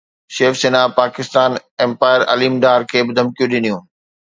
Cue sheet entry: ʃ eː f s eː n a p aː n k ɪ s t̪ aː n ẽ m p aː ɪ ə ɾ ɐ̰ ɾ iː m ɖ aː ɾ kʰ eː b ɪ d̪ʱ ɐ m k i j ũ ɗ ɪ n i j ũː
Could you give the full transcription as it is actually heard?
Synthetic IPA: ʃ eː f s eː n a p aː k ɪ s t̪ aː n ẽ m p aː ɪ ə ɾ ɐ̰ l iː m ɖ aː ɾ kʰ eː b ɪ d̪ʱ ɐ m k i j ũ ɗ ɪ n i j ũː